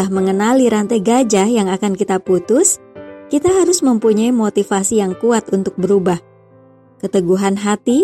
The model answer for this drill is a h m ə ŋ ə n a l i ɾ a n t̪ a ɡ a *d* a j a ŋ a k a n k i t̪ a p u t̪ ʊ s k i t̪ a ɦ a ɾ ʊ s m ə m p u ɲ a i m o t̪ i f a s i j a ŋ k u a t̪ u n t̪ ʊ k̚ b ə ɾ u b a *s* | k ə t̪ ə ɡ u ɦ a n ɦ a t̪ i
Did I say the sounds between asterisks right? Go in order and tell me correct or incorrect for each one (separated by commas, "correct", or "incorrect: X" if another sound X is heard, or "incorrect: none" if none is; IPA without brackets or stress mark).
incorrect: d͡ʒ, incorrect: h